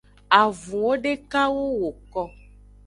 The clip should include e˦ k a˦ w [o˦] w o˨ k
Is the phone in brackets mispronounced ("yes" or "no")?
no